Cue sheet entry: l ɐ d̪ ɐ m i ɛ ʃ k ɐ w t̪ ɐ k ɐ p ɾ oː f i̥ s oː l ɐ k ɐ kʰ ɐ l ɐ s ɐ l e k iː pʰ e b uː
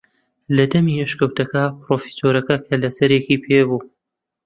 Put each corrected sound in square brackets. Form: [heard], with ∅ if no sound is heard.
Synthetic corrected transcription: l ɐ d̪ ɐ m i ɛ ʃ k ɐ w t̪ ɐ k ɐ p ɾ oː f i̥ s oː [ɾ] ɐ k ɐ kʰ ɐ l ɐ s ɐ [ɾ] e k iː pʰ e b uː